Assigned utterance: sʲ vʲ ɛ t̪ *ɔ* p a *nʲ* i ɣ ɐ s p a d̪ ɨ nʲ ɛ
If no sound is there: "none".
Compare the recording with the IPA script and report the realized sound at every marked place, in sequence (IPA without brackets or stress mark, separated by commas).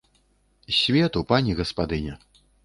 u, nʲ